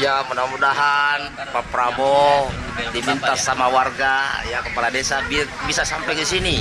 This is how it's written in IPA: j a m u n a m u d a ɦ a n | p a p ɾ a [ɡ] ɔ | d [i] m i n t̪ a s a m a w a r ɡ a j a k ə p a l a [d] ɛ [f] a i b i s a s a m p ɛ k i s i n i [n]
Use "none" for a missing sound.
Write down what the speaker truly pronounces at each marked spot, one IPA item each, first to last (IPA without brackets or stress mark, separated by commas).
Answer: b, i, d, s, none